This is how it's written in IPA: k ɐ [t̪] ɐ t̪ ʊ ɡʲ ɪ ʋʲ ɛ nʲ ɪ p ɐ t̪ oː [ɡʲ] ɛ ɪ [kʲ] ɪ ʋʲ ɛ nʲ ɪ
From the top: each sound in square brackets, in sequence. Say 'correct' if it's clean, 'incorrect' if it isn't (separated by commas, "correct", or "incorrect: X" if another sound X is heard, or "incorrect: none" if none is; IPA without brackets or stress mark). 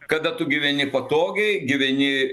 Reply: incorrect: d̪, correct, incorrect: ɡʲ